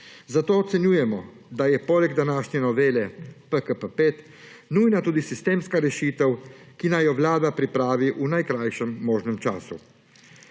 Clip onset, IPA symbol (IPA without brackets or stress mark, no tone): z